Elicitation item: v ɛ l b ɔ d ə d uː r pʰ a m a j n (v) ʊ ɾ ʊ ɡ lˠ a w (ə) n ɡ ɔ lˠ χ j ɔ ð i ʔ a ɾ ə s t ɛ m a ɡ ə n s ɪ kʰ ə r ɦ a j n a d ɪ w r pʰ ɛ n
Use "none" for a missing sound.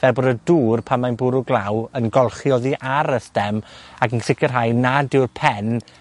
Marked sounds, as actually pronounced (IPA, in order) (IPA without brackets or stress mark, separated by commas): b, ə